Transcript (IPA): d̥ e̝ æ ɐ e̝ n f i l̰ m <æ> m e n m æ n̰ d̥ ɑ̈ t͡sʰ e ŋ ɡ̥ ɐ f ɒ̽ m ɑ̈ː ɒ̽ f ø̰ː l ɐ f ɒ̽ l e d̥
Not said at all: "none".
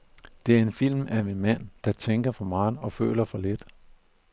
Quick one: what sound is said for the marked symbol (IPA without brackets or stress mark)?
æ